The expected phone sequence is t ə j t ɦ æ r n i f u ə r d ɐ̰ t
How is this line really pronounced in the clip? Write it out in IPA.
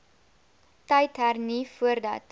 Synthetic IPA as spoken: t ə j t ɦ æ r n i f u ə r d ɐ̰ t